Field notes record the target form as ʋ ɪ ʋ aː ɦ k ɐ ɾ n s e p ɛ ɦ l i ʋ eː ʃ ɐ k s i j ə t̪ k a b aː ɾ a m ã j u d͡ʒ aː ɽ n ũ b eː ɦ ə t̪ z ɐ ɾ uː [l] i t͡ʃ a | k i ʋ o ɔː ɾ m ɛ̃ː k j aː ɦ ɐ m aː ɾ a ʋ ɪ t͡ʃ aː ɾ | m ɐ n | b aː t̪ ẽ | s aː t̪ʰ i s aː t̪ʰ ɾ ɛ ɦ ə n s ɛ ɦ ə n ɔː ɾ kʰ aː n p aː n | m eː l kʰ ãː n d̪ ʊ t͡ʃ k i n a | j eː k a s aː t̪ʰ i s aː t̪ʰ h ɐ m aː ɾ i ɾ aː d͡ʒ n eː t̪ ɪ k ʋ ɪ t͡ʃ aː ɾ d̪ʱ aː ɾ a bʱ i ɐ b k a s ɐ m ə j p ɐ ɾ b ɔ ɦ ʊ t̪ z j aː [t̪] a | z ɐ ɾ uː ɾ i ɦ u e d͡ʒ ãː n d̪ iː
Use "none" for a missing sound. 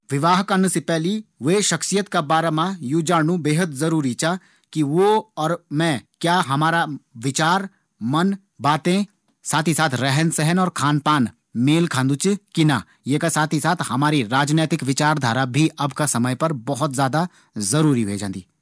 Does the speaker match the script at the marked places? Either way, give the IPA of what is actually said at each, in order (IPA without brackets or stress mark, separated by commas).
ɾ, d̪